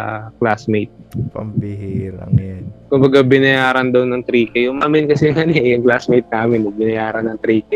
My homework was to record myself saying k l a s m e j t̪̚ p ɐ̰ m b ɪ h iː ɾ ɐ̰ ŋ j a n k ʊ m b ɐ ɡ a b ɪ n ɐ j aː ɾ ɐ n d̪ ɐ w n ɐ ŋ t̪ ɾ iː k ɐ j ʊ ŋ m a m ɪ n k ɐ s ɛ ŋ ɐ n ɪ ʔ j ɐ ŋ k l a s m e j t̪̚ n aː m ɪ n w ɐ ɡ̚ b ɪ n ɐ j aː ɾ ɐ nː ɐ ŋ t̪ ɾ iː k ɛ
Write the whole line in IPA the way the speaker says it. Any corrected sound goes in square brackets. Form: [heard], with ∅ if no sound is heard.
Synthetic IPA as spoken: k l a s m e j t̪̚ p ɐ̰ m b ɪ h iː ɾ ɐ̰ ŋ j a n k ʊ m b ɐ ɡ a b ɪ n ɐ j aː ɾ ɐ n d̪ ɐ w n ɐ ŋ t̪ ɾ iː k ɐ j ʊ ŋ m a m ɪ n k ɐ s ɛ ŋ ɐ n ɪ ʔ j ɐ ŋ k l a s m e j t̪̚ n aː m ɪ n w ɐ ɡ̚ b ɪ n ɐ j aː ɾ ɐ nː ɐ ŋ t̪ ɾ iː k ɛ